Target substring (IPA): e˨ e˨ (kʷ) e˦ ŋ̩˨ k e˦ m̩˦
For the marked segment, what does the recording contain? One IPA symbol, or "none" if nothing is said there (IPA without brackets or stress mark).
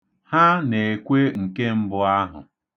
kʷ